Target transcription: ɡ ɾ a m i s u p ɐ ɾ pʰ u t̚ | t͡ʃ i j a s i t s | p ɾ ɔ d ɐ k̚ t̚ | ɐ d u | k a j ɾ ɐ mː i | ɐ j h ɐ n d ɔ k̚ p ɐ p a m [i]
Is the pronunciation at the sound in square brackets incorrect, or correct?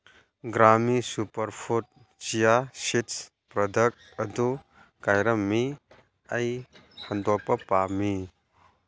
correct